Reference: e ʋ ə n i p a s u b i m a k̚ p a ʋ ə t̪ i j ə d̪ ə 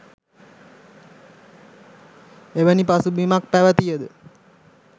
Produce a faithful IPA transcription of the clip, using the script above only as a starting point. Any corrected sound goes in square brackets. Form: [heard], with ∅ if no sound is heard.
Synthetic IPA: e ʋ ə n i p a s u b i m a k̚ p [æ] ʋ ə t̪ i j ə d̪ ə